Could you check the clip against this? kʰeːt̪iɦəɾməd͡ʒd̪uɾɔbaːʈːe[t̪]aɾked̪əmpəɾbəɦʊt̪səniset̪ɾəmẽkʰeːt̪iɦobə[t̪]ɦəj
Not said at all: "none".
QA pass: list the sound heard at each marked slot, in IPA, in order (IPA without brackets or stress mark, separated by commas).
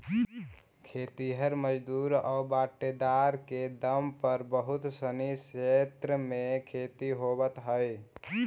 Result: d̪, t̪